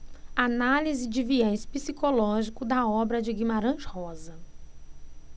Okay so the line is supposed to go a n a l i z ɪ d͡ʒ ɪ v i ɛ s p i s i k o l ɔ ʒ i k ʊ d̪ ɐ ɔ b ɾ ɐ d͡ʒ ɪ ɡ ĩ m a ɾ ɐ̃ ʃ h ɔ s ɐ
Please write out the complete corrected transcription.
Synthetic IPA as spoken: a n a l i z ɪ d͡ʒ ɪ v i ɛ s p i s i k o l ɔ ʒ i k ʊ d̪ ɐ ɔ b ɾ ɐ d͡ʒ ɪ ɡ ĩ m a ɾ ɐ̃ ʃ h ɔ z ɐ